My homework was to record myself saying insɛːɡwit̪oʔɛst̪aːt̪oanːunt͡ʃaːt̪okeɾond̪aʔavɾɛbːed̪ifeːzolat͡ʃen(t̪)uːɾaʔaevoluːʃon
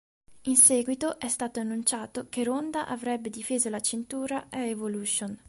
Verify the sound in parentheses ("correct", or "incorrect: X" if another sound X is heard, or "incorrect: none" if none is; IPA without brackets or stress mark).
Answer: correct